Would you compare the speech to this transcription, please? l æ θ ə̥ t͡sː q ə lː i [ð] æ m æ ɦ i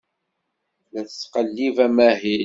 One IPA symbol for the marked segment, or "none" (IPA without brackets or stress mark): v